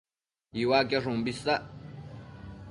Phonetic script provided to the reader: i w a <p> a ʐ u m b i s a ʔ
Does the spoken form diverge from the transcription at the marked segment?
yes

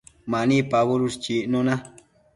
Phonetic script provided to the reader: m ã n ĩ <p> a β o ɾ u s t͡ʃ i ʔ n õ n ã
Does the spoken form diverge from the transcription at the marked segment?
no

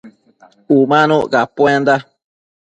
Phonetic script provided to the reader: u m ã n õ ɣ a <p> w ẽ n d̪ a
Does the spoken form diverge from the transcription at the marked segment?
no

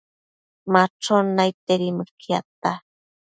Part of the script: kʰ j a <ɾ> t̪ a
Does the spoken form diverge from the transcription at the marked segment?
yes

